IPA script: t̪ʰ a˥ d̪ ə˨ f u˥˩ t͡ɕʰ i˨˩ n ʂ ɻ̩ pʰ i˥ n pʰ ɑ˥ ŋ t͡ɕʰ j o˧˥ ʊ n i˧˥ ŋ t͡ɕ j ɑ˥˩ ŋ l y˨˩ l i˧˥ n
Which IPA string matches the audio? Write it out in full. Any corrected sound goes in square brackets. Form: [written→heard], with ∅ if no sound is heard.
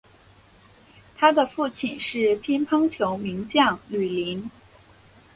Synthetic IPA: t̪ʰ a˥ d̪ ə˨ f u˥˩ t͡ɕʰ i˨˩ n ʂ ɻ̩ pʰ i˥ n pʰ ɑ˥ ŋ t͡ɕʰ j o˧˥ ʊ [n→m] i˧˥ ŋ t͡ɕ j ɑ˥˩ ŋ l y˨˩ l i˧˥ n